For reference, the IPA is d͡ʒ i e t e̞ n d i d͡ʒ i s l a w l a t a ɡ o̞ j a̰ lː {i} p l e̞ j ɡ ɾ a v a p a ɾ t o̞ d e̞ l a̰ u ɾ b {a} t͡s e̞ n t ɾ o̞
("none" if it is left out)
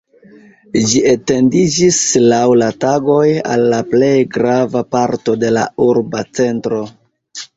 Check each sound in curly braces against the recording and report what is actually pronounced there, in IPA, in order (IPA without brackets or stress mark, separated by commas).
a, a